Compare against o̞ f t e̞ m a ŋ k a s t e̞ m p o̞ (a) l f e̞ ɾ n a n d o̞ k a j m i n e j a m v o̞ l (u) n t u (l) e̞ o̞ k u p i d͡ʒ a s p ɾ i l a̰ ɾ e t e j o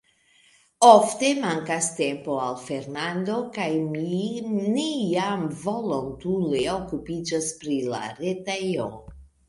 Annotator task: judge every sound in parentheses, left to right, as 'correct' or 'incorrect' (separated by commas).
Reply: correct, incorrect, correct